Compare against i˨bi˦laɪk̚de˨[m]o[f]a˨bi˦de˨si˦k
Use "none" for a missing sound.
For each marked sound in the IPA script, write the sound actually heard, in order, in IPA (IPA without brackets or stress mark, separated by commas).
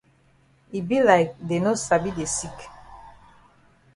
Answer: n, s